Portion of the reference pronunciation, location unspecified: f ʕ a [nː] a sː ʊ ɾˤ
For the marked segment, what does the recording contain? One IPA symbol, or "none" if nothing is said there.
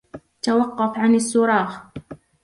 n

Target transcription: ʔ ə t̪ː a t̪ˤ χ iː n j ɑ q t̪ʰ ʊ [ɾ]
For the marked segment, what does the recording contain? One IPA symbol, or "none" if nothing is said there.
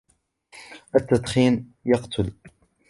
l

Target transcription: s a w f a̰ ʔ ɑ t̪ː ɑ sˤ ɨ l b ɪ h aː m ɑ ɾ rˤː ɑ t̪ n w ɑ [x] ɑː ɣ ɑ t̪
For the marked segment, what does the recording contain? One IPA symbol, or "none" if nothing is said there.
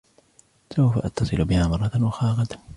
x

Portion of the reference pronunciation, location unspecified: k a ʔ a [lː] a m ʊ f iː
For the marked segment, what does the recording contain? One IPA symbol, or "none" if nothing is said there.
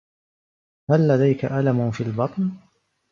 l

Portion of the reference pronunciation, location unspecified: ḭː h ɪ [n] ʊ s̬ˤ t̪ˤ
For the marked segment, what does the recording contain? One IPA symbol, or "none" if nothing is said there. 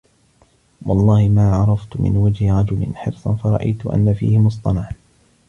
m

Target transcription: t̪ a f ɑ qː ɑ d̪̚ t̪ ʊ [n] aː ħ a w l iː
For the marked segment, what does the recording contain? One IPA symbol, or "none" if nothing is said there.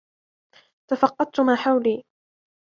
m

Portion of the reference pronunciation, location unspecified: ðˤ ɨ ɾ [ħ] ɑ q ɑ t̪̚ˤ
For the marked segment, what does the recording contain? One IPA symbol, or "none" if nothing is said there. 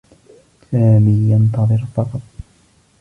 f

